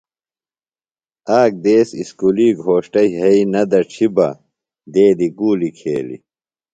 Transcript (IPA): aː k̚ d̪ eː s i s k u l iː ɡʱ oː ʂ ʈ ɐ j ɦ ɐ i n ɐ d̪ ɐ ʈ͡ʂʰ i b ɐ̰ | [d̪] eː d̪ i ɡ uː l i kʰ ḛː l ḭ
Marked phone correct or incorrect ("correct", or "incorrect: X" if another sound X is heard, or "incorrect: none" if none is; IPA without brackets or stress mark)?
correct